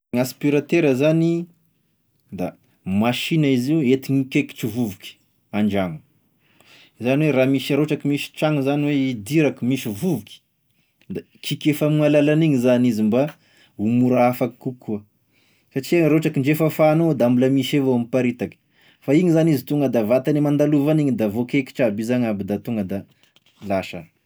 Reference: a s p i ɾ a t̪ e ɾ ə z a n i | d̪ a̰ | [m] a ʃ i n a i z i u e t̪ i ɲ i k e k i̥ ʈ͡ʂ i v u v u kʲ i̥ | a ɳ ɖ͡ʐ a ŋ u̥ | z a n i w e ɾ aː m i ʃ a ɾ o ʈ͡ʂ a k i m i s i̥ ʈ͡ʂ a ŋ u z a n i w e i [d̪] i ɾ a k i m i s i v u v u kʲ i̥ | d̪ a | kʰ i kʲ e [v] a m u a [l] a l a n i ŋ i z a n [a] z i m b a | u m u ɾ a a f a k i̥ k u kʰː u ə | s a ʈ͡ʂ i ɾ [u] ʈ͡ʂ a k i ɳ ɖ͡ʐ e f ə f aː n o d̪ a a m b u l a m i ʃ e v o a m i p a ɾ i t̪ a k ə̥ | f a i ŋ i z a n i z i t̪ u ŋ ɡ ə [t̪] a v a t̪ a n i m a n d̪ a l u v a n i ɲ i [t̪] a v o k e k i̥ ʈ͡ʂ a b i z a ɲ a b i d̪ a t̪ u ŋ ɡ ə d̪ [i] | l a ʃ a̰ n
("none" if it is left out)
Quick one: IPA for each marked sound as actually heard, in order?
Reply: m, d̪, f, l, i, o, d̪, d̪, a

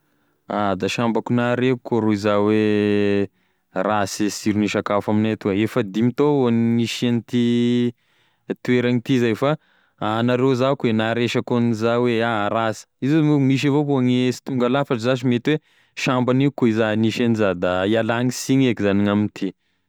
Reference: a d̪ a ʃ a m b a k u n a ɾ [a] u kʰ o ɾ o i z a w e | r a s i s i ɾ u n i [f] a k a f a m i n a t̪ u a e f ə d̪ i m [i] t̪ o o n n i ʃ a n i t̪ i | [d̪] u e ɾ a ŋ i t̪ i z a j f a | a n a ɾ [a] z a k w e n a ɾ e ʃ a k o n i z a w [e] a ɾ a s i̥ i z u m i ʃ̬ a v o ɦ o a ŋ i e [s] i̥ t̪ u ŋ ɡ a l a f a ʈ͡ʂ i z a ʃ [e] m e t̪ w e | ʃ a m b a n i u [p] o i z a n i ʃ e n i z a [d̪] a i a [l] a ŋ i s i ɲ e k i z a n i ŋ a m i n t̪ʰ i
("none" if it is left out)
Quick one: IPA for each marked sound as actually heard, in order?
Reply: e, ʃ, i, t̪, e, e, s, i, k, d̪, l

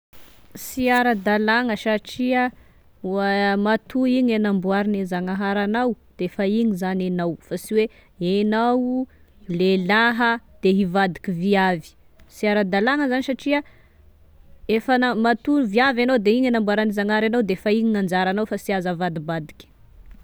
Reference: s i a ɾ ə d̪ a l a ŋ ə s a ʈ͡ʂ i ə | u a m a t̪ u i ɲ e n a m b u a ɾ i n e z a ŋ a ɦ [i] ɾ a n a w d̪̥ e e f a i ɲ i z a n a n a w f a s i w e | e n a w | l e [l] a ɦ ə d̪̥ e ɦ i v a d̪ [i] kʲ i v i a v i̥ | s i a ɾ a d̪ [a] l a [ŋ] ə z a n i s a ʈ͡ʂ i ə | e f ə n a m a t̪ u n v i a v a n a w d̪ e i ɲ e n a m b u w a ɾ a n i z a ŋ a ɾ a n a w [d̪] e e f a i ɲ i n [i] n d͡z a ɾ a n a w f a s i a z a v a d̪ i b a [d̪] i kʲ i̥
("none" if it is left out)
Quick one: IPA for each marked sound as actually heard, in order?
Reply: a, l, i, a, ŋ, d̪, a, d̪

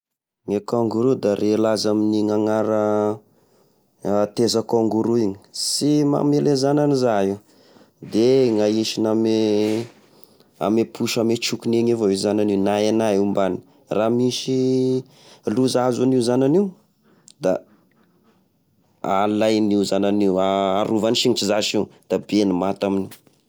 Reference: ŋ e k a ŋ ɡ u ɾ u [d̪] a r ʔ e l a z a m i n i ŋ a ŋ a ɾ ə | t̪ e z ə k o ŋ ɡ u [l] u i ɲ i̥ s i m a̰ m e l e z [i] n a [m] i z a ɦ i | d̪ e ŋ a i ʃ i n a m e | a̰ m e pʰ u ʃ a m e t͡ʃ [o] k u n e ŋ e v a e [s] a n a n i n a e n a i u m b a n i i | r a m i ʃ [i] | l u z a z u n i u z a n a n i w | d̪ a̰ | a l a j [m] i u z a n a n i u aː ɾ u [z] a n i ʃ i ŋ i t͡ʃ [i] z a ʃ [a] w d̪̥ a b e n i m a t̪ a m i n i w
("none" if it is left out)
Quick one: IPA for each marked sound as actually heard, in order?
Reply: d̪, ɾ, a, n, u, z, i, n, v, i, i

